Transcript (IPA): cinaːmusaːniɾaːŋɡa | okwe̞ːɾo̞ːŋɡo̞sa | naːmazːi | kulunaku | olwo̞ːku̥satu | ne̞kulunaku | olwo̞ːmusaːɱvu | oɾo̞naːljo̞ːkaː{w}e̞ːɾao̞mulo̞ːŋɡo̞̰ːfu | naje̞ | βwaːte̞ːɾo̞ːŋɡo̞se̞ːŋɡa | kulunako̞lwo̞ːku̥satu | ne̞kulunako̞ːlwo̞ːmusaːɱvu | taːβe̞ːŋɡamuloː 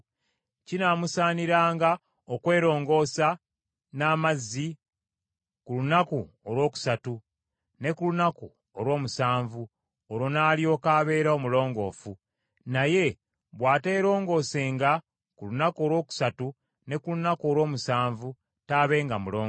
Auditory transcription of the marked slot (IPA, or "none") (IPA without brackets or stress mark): β